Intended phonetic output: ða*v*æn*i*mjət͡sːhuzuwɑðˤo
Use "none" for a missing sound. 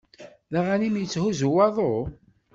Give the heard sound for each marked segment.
ʁ, i

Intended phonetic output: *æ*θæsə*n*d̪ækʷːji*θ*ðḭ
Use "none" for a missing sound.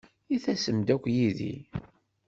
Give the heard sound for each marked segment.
i, m, none

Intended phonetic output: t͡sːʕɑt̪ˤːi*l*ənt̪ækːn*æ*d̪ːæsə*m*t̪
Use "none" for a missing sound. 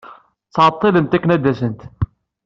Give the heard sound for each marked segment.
l, æ, n

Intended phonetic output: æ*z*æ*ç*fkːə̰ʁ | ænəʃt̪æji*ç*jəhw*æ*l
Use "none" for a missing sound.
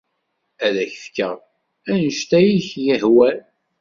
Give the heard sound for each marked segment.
ð, ç, ç, æ

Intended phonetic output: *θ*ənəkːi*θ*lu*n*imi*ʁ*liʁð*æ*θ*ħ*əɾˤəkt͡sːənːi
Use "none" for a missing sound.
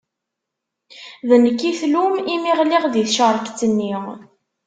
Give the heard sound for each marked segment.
ð, θ, m, ʁ, i, ʃ

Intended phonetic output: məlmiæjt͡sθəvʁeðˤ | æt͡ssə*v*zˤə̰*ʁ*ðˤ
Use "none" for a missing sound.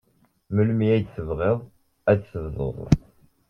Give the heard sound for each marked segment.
v, none

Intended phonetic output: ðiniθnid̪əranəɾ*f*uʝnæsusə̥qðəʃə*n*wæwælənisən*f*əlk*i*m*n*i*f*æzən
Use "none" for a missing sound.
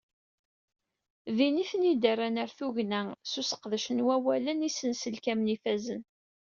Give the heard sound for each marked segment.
θ, n, s, æ, n, f

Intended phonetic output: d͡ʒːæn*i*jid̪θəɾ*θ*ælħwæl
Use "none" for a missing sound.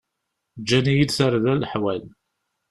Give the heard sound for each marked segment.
i, ð

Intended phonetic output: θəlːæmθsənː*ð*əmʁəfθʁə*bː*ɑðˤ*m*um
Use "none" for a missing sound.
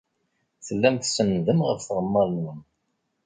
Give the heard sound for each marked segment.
ð, mː, n

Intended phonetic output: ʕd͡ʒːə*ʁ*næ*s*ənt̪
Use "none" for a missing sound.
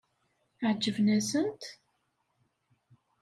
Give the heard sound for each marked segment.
v, s

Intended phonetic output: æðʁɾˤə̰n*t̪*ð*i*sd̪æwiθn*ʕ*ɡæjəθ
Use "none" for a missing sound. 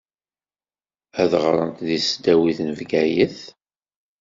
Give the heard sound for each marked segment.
t̪, i, v

